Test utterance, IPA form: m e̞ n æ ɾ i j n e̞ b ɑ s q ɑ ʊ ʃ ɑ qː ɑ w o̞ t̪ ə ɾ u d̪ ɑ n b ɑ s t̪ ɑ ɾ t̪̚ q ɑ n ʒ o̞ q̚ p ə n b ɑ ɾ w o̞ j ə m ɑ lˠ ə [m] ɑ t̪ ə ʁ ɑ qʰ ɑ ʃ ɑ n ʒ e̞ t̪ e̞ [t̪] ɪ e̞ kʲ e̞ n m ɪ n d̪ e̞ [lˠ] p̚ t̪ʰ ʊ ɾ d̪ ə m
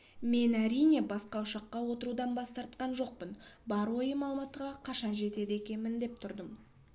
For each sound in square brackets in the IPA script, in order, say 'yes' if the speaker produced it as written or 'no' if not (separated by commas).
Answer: yes, no, no